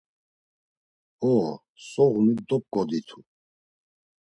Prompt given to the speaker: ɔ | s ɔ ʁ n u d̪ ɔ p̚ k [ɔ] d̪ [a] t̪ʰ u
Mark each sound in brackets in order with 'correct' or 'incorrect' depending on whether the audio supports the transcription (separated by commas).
correct, incorrect